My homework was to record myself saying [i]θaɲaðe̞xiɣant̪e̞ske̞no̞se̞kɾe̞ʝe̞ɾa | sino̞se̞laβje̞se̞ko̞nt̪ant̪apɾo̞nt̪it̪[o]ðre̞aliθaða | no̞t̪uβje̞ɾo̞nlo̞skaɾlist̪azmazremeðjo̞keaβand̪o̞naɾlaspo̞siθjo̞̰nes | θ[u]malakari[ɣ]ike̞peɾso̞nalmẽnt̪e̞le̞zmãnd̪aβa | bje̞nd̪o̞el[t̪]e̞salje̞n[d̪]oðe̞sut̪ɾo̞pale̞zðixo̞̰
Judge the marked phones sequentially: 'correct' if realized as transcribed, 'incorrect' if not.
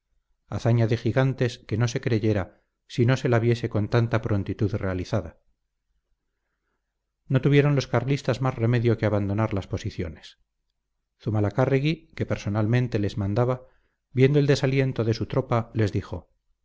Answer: incorrect: a, incorrect: u, correct, correct, incorrect: d̪, incorrect: t̪

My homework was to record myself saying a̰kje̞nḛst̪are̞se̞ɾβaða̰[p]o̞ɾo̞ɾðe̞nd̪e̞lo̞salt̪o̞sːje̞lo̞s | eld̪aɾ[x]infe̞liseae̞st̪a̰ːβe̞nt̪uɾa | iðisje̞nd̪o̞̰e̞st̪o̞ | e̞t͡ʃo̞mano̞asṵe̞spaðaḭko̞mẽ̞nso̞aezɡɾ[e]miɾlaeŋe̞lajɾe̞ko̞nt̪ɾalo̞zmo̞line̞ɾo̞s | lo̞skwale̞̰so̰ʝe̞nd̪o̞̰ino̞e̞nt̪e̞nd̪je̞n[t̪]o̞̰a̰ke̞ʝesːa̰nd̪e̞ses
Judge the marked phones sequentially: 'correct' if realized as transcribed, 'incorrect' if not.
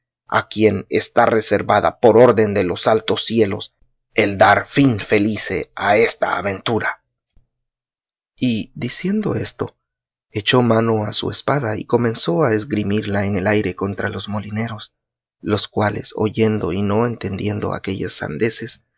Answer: correct, incorrect: f, incorrect: i, incorrect: d̪

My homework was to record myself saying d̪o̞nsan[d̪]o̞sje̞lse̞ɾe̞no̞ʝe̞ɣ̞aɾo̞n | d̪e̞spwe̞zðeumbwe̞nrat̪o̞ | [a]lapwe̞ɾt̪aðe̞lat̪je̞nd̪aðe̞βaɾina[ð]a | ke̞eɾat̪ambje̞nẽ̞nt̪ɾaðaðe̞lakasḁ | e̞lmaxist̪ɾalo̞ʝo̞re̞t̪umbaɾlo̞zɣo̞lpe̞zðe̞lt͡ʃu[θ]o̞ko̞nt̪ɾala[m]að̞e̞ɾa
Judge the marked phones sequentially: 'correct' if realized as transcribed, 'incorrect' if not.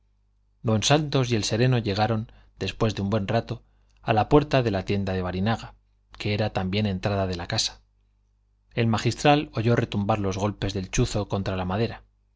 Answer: incorrect: t̪, correct, incorrect: ɣ, correct, correct

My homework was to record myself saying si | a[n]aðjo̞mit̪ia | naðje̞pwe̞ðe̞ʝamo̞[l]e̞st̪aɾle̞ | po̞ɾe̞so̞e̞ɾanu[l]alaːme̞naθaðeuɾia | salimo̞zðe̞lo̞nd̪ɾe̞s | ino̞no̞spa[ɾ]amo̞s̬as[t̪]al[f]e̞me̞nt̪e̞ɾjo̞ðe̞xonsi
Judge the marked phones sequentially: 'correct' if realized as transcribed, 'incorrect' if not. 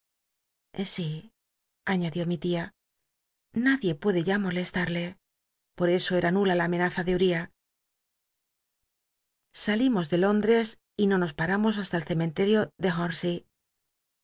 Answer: incorrect: ɲ, correct, correct, correct, correct, incorrect: θ

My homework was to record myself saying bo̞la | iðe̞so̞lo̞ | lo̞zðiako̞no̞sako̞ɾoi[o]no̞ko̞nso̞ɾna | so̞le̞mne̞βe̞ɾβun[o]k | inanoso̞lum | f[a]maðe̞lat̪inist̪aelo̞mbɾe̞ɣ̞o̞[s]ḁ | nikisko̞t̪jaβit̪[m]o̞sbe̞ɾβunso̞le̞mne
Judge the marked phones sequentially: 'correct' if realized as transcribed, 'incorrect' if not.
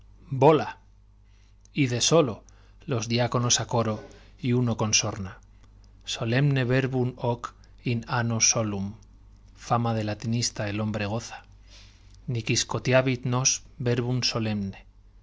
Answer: incorrect: u, correct, correct, incorrect: θ, incorrect: n

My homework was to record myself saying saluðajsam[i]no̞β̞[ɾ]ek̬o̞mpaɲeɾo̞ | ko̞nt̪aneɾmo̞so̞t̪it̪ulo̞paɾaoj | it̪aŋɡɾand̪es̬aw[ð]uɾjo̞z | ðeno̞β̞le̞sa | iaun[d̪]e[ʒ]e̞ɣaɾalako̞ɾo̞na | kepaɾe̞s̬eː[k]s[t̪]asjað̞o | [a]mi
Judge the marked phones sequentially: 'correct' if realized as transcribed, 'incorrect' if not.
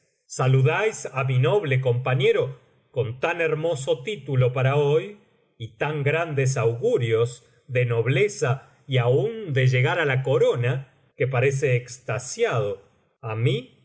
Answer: correct, incorrect: l, incorrect: ɣ, correct, correct, correct, correct, correct

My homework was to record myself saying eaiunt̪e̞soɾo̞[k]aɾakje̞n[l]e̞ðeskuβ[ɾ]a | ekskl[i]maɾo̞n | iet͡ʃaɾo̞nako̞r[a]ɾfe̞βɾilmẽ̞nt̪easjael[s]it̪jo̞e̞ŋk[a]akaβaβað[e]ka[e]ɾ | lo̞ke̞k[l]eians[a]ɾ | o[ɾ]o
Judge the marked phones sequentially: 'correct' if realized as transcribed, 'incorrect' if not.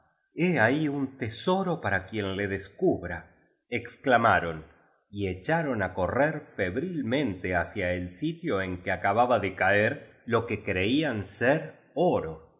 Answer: incorrect: p, correct, correct, incorrect: a, incorrect: e, correct, incorrect: e, correct, correct, incorrect: ɾ, incorrect: e, correct

